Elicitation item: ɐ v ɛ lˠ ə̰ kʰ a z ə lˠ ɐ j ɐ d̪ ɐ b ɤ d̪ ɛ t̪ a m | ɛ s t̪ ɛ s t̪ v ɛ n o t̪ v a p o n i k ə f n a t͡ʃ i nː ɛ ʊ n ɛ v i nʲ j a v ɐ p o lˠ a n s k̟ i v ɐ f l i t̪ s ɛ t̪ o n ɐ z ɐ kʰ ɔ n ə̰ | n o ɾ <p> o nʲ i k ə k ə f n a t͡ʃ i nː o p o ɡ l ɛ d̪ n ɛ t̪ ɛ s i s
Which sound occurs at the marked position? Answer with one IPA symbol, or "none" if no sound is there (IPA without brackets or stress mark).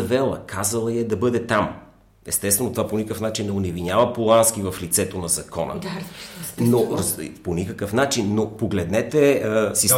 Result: p